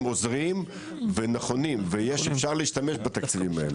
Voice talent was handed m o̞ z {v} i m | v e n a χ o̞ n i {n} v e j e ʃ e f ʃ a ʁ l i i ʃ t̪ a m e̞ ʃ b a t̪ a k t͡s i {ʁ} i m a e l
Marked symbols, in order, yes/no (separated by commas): no, no, no